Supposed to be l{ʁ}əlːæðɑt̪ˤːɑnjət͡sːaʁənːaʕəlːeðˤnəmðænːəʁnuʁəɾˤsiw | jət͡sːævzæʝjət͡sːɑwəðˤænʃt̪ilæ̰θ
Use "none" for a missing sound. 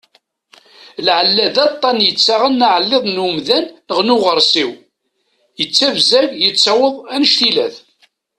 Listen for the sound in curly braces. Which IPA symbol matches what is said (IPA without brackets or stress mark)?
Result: ʕ